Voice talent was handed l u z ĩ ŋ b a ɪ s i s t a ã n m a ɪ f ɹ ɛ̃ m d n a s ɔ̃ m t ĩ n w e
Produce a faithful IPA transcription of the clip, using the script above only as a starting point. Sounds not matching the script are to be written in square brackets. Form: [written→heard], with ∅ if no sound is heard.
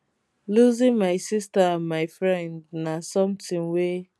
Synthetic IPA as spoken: l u z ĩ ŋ [b→m] a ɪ s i s t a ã n m a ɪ f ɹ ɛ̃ [m→n] d n a s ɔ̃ m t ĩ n w e